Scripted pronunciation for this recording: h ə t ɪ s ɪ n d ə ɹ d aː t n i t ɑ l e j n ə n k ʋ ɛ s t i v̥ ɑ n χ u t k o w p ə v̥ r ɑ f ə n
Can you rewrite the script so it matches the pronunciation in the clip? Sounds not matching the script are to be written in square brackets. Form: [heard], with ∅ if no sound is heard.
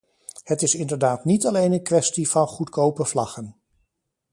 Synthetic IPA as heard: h ə t ɪ s ɪ n d ə ɹ d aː t n i t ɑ l e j n ə n k ʋ ɛ s t i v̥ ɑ n χ u t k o w p ə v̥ [l] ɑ [χ] ə n